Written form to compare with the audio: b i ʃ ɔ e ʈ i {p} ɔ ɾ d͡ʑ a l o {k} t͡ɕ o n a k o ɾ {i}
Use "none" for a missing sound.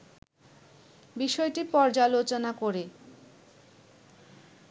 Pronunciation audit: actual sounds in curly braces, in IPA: p, none, e

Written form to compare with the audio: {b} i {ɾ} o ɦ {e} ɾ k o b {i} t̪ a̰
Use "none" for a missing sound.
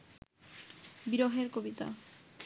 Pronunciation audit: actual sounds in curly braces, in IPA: b, ɾ, e, i

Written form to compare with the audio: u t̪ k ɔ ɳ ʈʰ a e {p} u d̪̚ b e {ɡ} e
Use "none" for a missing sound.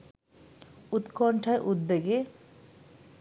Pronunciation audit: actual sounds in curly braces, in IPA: ʔ, ɡ

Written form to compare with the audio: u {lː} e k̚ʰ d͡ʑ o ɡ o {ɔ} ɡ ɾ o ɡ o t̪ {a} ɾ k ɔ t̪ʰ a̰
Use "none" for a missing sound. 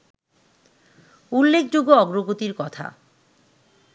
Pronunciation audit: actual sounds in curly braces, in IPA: lː, ɔ, i

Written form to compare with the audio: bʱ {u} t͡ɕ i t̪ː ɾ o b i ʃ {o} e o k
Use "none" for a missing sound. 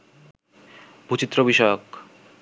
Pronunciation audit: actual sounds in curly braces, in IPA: u, ɔ

